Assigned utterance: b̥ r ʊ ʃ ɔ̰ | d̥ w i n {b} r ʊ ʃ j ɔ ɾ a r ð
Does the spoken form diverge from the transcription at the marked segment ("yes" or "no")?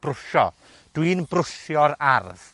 no